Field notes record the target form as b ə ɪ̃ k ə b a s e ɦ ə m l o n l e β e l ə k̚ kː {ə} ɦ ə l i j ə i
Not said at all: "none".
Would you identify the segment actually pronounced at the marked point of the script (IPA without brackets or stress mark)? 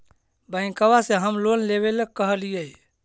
ə